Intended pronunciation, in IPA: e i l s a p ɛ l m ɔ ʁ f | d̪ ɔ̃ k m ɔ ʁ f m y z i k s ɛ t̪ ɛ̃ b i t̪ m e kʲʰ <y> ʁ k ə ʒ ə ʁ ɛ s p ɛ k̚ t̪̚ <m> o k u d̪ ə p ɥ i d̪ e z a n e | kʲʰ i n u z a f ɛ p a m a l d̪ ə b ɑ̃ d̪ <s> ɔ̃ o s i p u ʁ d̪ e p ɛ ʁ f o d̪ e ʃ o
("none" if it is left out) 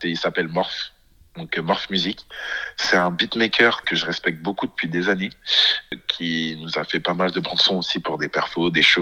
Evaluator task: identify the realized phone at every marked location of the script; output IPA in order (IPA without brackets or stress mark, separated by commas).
œ, b, s